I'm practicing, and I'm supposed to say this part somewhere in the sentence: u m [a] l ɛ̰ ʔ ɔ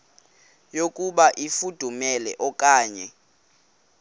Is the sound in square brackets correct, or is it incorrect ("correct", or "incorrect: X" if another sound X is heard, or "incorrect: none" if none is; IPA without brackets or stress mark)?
incorrect: ɛ